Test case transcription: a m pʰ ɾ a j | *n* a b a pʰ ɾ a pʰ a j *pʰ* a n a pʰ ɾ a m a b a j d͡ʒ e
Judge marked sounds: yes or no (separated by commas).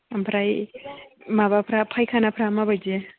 no, no